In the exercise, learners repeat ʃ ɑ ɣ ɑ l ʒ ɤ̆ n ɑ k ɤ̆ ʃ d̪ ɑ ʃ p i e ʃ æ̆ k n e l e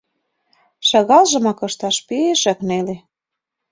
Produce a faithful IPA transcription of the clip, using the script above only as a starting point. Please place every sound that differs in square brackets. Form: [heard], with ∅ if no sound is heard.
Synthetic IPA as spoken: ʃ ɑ ɣ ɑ l ʒ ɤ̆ [m] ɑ k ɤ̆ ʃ [t̪] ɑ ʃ p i e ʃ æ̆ k n e l e